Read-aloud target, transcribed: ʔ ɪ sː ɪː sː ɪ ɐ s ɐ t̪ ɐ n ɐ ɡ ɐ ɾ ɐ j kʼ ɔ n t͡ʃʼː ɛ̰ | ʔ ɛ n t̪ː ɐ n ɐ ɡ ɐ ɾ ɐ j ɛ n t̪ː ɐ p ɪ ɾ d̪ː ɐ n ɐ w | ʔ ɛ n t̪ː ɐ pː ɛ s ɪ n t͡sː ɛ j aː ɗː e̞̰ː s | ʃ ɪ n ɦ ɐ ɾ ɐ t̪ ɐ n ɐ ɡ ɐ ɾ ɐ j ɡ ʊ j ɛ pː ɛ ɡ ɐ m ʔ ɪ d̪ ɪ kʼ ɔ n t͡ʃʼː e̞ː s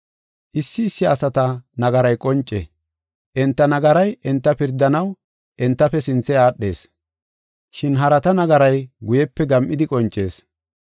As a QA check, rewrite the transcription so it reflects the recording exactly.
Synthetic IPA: ʔ ɪ sː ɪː sː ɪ ɐ s ɐ t̪ ɐ n ɐ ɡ ɐ ɾ ɐ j kʼ ɔ n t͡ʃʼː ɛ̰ | ʔ ɛ n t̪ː ɐ n ɐ ɡ ɐ ɾ ɐ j ɛ n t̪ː ɐ p ɪ ɾ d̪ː ɐ n ɐ w | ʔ ɛ n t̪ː ɐ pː ɛ s ɪ n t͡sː ɛ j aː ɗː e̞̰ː s | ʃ ɪ n ɦ ɐ ɾ ɐ t̪ ɐ n ɐ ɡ ɐ ɾ ɐ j ɡ ʊ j ɛ pː ɛ ɡ ɐ m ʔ ɪ d̪ ɪ kʼ ɔ n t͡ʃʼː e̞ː s